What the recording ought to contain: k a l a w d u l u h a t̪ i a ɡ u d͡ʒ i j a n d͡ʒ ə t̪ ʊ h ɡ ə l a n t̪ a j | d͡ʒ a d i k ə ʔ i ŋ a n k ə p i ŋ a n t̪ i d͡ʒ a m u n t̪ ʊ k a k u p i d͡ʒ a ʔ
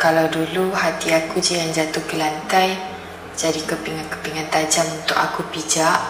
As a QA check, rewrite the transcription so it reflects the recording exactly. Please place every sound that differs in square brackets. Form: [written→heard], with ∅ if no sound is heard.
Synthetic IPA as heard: k a l a w d u l u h a t̪ i a [ɡ→k] u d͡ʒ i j a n d͡ʒ [ə→a] t̪ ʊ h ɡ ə l a n t̪ a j | d͡ʒ a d i k ə [ʔ→p] i ŋ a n k ə p i ŋ a n t̪ [i→a] d͡ʒ a m u n t̪ ʊ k a k u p i d͡ʒ a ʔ